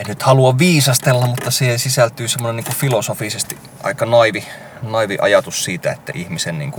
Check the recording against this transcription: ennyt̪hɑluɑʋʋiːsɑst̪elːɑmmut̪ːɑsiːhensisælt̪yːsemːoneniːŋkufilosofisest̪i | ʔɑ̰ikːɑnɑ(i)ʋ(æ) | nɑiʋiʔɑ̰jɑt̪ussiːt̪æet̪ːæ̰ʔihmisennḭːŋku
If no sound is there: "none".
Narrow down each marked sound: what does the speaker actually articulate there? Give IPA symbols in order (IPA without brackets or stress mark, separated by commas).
i, i